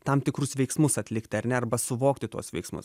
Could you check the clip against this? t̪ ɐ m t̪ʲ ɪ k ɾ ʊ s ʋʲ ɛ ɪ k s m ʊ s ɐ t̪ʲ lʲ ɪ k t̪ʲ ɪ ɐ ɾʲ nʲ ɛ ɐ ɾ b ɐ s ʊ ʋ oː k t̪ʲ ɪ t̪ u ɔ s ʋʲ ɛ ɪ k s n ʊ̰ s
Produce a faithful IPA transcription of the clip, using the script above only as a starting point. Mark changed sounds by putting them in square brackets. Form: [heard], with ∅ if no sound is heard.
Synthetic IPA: t̪ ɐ m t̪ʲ ɪ k ɾ ʊ s ʋʲ ɛ ɪ k s m ʊ s ɐ t̪ʲ lʲ ɪ k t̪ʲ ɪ ɐ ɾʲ nʲ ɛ ɐ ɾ b ɐ s ʊ ʋ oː k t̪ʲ ɪ t̪ u ɔ s ʋʲ ɛ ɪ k s [m] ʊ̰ s